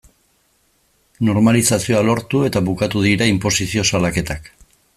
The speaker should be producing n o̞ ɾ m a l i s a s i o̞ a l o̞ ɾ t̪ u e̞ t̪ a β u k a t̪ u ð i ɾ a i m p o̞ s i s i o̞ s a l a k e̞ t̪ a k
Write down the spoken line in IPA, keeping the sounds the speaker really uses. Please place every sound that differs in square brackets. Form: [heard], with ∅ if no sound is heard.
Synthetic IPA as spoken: n o̞ ɾ m a l i s a s i o̞ a l o̞ ɾ t̪ u e̞ t̪ a β u k a t̪ u ð i ɾ a i m p o̞ s i s i o̞ s a l a k e̞ t̪ a k